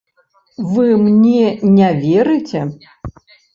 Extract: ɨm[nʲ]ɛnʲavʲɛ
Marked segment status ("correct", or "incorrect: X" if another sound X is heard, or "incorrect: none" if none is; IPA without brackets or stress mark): correct